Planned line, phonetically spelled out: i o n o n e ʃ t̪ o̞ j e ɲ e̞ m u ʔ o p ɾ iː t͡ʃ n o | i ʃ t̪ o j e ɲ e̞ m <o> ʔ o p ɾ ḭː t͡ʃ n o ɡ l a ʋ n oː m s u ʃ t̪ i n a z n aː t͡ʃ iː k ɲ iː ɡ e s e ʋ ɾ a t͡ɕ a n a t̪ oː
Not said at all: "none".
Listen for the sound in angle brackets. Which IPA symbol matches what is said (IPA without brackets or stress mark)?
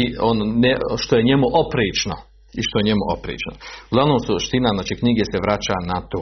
u